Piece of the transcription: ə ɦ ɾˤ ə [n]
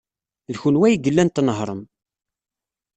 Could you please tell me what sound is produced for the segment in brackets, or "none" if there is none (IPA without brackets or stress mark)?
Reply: m